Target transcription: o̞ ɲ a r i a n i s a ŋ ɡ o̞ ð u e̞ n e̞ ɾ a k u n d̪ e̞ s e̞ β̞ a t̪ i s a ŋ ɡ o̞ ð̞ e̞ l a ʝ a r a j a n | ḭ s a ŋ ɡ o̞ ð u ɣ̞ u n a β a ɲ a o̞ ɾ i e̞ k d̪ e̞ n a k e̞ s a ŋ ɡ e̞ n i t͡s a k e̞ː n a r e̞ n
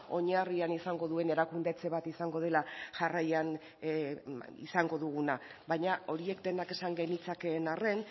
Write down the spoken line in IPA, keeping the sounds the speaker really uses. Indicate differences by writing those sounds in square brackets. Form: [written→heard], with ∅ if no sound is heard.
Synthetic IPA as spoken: o̞ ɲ a r i a n i s a ŋ ɡ o̞ ð u e̞ n e̞ ɾ a k u n d̪ e̞ [s→t͡s] e̞ β̞ a t̪ i s a ŋ ɡ o̞ ð̞ e̞ l a ʝ a r a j a n | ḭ s a ŋ ɡ o̞ ð u ɣ̞ u n a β a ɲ a o̞ ɾ i e̞ k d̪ e̞ n a k e̞ s a ŋ ɡ e̞ n i t͡s a k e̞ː n a r e̞ n